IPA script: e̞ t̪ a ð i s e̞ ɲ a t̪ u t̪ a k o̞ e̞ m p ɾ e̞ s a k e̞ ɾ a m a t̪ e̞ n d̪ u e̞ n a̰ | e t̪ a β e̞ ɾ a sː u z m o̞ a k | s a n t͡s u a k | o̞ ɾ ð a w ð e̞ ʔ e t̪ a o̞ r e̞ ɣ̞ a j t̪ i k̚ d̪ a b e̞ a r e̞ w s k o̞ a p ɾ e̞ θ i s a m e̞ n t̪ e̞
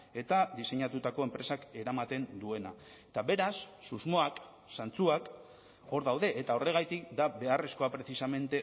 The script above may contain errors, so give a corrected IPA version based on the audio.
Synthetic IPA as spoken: e̞ t̪ a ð i s e̞ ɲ a t̪ u t̪ a k o̞ e̞ m p ɾ e̞ s a k e̞ ɾ a m a t̪ e̞ n d̪ u e̞ n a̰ | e t̪ a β e̞ ɾ a sː u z m o̞ a k | s a n t͡s u a k | o̞ ɾ ð a w ð e̞ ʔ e t̪ a o̞ r e̞ ɣ̞ a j t̪ i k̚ d̪ a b e̞ a r e̞ s k o̞ a p ɾ e̞ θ i s a m e̞ n t̪ e̞